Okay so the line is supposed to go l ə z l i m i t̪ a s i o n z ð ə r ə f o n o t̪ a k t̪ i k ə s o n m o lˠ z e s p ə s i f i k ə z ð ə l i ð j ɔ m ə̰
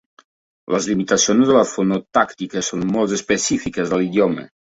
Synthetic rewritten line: l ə z l i m i t̪ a s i o n z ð ə l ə f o n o t̪ a k t̪ i k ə s o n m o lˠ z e s p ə s i f i k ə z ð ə l i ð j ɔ m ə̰